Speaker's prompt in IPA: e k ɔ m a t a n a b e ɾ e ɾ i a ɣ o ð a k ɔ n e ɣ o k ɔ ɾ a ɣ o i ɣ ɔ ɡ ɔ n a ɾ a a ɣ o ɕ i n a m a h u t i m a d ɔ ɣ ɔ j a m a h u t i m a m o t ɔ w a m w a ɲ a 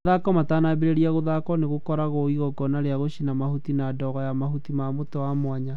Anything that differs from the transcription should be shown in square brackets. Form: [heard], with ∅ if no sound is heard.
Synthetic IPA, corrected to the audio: [a] k ɔ m a t a n a b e ɾ e ɾ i a ɣ o ð a k ɔ n e ɣ o k ɔ ɾ a ɣ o i ɣ ɔ ɡ ɔ n a ɾ [e] a ɣ o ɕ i n a m a h u t i [n] a d ɔ ɣ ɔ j a m a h u t i m a m o t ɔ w a m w a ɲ a